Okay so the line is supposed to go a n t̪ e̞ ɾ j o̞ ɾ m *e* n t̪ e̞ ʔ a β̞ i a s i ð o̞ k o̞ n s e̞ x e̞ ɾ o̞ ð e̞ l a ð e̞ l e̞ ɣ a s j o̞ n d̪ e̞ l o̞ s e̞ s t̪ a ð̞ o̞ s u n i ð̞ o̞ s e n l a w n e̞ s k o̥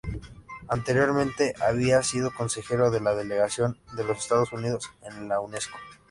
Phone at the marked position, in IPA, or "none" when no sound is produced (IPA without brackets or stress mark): ẽ